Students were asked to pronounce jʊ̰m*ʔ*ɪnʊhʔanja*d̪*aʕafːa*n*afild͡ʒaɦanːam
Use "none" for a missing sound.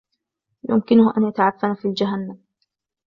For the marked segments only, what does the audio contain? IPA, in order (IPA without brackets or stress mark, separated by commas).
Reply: k, t̪, n